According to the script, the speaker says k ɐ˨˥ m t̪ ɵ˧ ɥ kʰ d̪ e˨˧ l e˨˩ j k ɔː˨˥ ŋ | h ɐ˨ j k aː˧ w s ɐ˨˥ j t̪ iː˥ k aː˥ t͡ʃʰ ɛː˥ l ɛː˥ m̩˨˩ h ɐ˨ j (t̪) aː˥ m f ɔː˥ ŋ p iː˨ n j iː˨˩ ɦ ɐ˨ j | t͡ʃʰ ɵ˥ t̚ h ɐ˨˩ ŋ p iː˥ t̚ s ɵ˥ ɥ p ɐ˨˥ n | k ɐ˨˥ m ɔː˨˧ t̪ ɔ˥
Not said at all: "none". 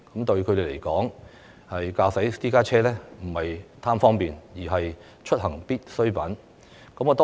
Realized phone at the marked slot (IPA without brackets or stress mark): t̪ʰ